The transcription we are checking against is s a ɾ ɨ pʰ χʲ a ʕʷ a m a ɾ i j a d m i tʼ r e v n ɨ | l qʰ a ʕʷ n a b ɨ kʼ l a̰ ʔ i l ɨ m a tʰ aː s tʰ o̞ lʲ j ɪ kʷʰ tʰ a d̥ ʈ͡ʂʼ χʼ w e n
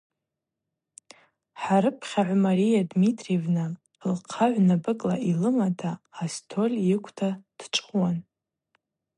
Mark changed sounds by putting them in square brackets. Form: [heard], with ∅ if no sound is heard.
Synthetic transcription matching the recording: [ħ] a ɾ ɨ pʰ χʲ a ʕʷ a m a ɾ i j a d m i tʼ r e v n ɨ | l qʰ a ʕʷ n a b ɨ kʼ l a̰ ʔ i l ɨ m a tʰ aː s tʰ o̞ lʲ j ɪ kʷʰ tʰ a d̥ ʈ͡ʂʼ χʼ w [a] n